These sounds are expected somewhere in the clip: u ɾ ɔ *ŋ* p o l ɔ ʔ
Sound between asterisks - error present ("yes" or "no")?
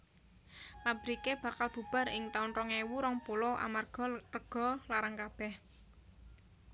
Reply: no